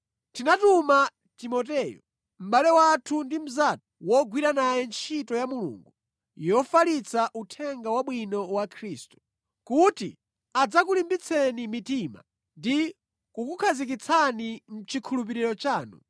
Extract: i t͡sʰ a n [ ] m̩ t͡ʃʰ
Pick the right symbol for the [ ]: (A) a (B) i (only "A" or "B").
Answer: B